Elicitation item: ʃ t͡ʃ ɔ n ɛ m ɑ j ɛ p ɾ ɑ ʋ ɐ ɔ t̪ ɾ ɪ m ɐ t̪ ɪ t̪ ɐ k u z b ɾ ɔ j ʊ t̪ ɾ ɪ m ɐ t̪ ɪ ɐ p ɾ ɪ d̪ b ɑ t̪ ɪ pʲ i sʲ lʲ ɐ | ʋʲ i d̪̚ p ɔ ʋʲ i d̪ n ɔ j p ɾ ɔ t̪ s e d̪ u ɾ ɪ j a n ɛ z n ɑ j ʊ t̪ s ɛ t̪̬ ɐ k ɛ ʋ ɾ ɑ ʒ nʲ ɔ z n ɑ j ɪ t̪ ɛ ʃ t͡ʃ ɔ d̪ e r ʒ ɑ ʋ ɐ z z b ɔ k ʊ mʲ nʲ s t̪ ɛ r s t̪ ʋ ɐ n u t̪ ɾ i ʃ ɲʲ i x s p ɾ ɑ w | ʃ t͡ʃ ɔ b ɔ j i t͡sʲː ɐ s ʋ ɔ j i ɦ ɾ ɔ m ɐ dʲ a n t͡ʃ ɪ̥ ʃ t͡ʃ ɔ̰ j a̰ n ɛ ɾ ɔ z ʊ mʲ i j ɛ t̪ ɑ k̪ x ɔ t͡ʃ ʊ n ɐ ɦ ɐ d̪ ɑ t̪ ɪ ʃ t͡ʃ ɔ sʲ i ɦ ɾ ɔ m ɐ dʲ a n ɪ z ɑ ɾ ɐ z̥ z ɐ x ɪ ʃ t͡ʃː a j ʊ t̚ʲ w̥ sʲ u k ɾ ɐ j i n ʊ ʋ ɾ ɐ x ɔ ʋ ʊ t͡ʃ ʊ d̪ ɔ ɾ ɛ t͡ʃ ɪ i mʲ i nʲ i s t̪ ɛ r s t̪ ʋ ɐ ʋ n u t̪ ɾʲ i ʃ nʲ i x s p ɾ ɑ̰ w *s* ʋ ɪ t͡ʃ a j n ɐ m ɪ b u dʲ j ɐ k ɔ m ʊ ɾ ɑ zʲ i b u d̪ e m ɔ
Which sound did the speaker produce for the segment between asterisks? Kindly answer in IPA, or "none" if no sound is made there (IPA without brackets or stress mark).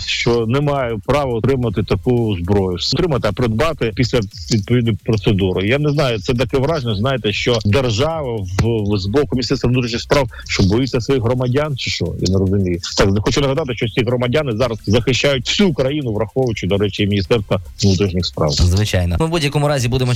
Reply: z